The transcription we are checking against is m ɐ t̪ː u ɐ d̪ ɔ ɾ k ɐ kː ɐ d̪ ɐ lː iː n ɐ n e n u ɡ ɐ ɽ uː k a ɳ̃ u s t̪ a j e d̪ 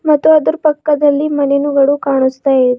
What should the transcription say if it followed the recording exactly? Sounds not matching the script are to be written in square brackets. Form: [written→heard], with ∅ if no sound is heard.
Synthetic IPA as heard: m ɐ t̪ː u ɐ d̪ [ɔ→u] ɾ [k→p] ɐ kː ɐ d̪ ɐ lː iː [n→m] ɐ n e n u ɡ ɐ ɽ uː k a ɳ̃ u s t̪ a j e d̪